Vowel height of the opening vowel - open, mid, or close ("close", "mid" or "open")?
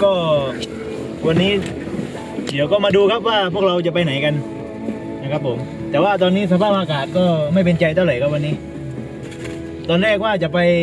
mid